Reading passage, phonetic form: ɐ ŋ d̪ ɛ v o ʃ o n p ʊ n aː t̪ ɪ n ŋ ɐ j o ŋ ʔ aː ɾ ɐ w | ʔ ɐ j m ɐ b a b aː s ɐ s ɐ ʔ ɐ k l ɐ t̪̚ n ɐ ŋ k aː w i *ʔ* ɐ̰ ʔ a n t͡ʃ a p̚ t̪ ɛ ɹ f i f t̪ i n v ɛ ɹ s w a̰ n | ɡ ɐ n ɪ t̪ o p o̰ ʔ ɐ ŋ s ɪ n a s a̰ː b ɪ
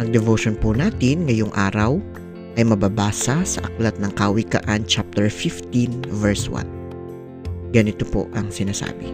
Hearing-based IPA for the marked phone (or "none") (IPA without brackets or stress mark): k